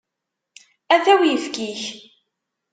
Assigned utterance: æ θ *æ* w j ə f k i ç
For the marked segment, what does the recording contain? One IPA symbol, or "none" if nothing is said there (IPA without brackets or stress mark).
æ